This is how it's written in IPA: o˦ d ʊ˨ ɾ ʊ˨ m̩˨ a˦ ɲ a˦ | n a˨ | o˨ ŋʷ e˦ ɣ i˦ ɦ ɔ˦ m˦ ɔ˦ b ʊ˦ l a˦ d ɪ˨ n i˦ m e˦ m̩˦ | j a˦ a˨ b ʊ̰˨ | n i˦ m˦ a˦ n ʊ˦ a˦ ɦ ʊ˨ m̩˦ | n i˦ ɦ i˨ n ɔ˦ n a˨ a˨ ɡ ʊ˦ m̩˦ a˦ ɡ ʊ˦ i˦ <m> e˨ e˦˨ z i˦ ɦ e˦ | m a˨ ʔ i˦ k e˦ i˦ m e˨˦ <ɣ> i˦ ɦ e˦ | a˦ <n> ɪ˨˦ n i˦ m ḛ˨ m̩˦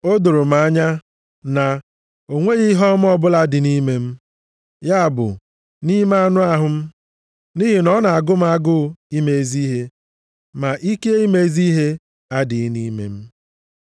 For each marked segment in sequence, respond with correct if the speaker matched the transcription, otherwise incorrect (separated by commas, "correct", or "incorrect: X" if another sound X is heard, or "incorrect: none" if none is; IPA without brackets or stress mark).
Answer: correct, incorrect: z, incorrect: d